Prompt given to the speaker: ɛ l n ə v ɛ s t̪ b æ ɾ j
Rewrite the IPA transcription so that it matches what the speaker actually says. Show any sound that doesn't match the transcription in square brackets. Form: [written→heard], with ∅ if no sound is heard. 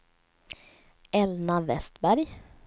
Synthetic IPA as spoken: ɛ l n [ə→a] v ɛ s t̪ b æ ɾ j